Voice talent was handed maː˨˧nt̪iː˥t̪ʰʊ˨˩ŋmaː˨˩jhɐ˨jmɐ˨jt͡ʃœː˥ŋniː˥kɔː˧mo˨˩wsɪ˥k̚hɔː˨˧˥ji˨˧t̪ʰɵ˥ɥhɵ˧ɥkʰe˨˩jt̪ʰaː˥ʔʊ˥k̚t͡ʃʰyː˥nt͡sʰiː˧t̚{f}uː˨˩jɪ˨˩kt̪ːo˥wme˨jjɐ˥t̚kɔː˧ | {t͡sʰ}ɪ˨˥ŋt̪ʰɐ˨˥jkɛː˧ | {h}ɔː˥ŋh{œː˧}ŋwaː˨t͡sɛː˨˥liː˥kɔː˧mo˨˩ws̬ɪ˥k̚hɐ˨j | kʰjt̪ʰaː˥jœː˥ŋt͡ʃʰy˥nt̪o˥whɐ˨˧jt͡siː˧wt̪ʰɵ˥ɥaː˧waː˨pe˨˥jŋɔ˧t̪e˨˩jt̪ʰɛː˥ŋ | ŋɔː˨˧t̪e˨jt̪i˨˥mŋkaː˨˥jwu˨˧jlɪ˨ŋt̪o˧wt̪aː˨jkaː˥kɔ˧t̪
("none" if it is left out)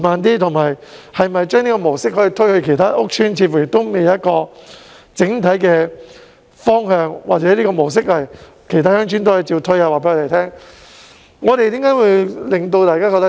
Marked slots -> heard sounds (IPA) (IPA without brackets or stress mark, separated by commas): f, t͡s, f, œː˧